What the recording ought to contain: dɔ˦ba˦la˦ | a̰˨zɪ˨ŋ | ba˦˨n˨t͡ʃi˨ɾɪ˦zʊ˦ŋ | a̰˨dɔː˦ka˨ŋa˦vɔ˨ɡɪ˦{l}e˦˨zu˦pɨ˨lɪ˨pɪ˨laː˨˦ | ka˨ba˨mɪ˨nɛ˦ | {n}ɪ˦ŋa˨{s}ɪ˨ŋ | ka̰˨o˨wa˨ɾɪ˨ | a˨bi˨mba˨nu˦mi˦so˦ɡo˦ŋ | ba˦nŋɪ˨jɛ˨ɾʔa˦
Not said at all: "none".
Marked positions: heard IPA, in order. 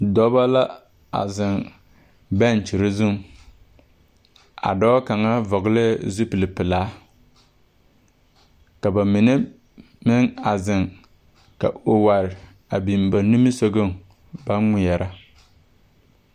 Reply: l, m, z

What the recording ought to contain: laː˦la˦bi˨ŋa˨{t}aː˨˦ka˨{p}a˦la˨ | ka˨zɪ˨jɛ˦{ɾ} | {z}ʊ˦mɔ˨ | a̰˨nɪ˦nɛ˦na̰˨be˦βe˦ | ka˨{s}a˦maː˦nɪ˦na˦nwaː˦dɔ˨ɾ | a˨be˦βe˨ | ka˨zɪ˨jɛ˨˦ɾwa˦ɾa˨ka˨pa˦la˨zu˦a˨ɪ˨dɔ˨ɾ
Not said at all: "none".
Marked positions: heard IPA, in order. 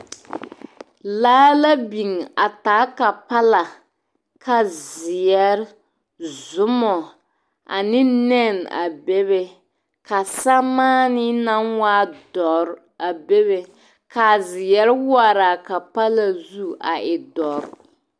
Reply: t, p, ɾ, z, s

